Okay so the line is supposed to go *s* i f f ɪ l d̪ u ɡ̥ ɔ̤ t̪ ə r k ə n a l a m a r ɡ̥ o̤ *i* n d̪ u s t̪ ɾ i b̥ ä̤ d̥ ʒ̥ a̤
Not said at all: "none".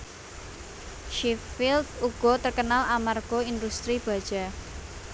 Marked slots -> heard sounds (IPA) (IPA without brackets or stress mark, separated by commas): ʃ, i